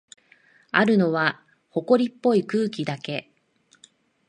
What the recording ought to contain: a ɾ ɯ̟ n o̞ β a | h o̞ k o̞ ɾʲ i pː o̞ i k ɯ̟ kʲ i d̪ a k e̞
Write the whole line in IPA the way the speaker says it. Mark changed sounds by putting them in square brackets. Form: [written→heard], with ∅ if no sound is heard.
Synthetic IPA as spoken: a ɾ ɯ̟ n o̞ β a | h o̞ k o̞ ɾʲ i pː o̞ i k [ɯ̟→ɯ̟ː] kʲ i d̪ a k e̞